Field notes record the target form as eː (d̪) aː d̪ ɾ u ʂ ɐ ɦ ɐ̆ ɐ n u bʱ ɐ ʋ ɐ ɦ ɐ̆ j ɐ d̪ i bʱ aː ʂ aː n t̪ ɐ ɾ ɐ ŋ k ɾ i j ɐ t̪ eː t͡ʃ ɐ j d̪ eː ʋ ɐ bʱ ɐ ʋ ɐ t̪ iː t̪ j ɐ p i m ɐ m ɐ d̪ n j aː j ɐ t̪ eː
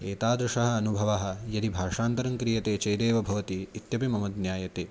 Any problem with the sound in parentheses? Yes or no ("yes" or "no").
yes